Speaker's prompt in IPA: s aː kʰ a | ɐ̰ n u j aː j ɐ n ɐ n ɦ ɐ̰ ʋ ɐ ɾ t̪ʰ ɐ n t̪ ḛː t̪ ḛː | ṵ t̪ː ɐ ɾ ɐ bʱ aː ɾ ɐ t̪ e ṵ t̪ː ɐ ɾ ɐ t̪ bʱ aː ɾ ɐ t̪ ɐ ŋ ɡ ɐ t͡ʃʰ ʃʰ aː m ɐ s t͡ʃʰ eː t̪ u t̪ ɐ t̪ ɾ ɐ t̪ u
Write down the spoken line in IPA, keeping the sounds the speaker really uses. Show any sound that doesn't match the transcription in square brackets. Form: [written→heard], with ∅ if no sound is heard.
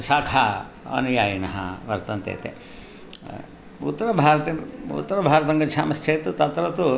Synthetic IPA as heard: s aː kʰ a | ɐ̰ n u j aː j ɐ n ɐ [n→∅] ɦ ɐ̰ ʋ ɐ ɾ [t̪ʰ→t̪] ɐ n t̪ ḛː t̪ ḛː | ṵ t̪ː ɐ ɾ ɐ bʱ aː ɾ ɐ t̪ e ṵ t̪ː ɐ ɾ ɐ [t̪→∅] bʱ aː ɾ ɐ t̪ ɐ ŋ ɡ ɐ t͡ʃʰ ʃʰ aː m ɐ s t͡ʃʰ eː t̪ u t̪ ɐ t̪ ɾ ɐ t̪ u